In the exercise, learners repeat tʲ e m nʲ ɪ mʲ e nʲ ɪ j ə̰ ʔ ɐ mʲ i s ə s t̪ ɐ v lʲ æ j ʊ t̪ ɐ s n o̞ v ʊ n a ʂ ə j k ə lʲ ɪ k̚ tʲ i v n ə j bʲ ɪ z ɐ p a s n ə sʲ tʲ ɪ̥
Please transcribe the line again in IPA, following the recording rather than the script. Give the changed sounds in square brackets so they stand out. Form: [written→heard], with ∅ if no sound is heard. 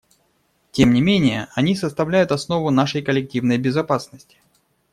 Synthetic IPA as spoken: tʲ e m nʲ ɪ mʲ e nʲ ɪ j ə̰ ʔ ɐ [mʲ→nʲ] i s ə s t̪ ɐ v lʲ æ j ʊ t̪ ɐ s n o̞ v ʊ n a ʂ ə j k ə lʲ ɪ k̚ tʲ i v n ə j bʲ ɪ z ɐ p a s n ə sʲ tʲ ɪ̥

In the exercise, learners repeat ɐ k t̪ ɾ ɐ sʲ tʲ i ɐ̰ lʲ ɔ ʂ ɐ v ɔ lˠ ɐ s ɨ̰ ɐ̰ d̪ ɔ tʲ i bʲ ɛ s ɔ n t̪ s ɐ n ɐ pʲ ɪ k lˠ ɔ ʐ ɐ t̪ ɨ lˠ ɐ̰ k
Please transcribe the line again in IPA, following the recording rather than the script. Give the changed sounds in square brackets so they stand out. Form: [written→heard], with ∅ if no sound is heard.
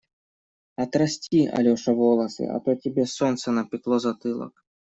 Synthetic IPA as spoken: ɐ [k→∅] t̪ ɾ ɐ sʲ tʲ i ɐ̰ lʲ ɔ ʂ ɐ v ɔ lˠ ɐ s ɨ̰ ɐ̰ [d̪→t̪] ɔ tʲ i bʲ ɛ s ɔ n t̪ s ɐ n ɐ pʲ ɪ k lˠ ɔ [ʐ→z] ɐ t̪ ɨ lˠ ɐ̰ k

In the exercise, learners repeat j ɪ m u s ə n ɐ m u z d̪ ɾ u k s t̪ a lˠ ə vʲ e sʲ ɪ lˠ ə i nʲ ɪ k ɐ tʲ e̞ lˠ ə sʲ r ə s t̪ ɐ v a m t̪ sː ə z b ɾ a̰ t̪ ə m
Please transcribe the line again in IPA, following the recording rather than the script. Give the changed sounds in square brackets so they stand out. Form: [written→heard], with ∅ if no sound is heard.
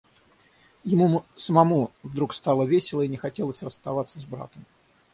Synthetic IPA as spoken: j ɪ m u s ə [n→m] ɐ m u [z→v] d̪ ɾ u k s t̪ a lˠ ə vʲ e sʲ ɪ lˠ ə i nʲ ɪ [k→x] ɐ tʲ e̞ lˠ ə sʲ r ə s t̪ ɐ v a [m→∅] t̪ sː ə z b ɾ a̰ t̪ ə m

